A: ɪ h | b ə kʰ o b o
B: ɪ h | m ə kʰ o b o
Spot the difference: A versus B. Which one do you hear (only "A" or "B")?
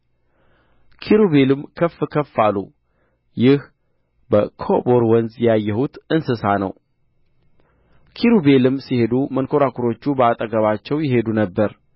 A